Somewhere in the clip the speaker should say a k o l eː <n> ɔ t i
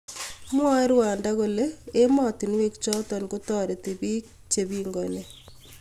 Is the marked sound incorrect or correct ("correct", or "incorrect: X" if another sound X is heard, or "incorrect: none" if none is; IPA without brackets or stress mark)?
incorrect: m